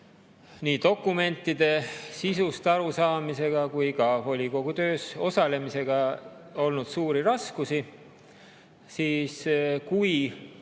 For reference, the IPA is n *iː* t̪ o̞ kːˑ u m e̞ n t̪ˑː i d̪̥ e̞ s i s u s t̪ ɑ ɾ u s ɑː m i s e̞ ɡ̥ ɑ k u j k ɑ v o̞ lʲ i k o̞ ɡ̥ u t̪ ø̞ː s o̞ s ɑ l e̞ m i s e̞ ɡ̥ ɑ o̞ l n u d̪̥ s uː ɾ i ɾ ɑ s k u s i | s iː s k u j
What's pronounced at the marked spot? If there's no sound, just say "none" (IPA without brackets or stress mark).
iː